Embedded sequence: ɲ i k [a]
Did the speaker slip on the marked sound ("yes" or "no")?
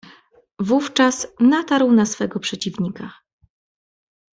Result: no